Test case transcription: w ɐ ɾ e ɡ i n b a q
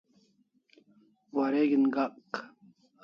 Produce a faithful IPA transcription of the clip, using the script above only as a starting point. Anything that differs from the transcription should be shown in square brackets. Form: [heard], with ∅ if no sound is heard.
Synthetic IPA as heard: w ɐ ɾ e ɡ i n [ɡ] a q